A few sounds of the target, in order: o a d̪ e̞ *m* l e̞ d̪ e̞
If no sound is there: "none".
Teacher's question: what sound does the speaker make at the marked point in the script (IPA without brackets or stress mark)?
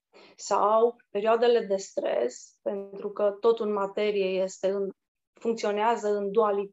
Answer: none